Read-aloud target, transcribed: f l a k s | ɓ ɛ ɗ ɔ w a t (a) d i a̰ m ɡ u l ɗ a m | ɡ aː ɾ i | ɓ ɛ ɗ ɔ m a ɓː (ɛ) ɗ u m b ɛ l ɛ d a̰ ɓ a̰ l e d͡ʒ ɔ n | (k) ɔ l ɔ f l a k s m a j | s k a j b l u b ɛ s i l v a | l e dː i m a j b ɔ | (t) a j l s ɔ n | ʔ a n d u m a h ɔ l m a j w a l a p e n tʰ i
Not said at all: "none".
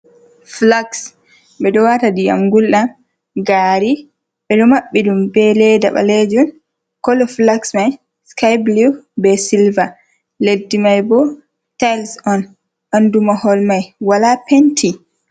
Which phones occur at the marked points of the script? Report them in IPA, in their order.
a, i, k, t

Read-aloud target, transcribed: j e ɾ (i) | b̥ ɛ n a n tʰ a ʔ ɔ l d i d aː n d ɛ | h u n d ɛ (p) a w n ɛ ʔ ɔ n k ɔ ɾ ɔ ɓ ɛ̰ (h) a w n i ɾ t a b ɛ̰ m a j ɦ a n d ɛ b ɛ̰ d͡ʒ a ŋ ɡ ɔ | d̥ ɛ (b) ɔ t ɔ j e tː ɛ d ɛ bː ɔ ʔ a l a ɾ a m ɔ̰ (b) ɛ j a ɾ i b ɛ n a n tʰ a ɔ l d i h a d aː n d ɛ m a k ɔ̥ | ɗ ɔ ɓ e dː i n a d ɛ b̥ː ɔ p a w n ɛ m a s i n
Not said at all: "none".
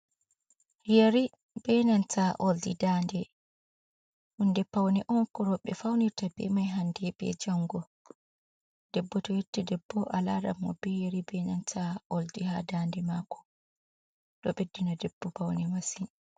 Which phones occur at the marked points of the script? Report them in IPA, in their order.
i, p, f, bː, b

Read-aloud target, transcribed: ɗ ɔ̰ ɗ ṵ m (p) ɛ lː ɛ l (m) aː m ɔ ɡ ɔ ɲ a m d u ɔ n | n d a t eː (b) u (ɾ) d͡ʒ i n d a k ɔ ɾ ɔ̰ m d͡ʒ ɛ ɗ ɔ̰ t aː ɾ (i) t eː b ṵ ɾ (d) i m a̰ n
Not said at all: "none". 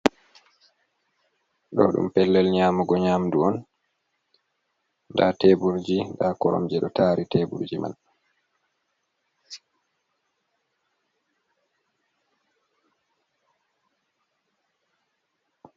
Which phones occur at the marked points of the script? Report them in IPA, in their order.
p, ɲ, b, ɾ, i, d͡ʒ

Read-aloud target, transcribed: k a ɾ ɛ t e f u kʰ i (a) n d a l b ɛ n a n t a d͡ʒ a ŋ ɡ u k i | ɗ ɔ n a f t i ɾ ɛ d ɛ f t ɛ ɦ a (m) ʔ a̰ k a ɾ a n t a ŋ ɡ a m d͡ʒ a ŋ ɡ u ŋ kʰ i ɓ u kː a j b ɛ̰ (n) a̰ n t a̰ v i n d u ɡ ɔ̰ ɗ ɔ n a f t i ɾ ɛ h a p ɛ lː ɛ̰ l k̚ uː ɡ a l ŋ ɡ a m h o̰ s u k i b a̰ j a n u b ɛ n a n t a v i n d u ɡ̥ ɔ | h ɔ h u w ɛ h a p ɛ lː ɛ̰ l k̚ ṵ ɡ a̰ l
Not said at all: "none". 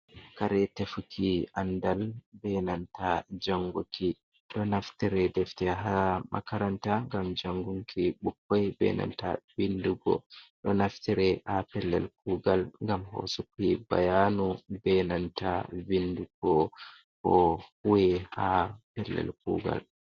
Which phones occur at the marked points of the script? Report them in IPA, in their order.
a, m, n

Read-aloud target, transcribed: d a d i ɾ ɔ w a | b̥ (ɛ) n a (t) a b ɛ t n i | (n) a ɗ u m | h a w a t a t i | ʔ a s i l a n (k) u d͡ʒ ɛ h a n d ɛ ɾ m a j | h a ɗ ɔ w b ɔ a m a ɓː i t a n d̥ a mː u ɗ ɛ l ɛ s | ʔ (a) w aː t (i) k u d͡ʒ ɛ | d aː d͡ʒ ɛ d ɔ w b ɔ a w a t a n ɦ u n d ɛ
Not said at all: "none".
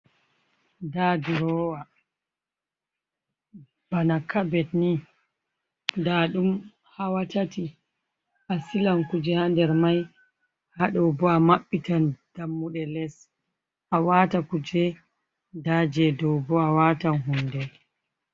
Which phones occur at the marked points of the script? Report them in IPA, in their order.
a, k, d, k, a, a

